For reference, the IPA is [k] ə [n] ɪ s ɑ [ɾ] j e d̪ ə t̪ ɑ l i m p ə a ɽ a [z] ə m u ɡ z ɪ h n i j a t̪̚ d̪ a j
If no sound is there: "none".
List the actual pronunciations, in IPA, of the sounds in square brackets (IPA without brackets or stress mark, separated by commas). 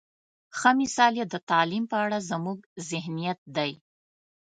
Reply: x, m, l, z